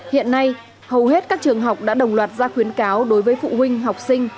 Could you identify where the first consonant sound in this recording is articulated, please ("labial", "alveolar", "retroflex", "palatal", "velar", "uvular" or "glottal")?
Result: glottal